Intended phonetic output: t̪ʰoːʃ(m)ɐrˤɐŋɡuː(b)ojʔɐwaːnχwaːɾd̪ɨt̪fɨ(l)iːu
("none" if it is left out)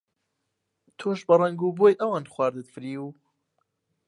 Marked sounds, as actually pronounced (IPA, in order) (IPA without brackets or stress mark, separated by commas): b, b, ɾ